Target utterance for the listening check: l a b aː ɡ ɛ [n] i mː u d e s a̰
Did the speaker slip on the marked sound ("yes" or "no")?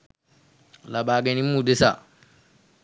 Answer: no